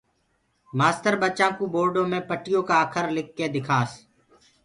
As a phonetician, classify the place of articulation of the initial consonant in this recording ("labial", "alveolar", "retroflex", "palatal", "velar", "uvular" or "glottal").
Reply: labial